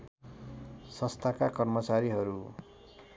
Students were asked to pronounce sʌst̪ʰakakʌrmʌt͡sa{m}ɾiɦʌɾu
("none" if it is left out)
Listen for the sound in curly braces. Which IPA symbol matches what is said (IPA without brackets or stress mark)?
none